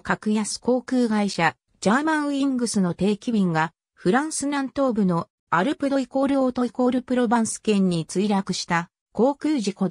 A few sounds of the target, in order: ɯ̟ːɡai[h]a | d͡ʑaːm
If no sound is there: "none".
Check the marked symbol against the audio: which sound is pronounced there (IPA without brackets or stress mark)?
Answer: ɕ